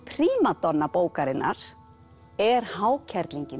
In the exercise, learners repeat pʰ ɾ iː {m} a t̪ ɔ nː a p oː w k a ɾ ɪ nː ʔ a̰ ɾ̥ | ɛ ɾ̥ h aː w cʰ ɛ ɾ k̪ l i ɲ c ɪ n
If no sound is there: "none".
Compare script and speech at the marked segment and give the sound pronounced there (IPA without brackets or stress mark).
m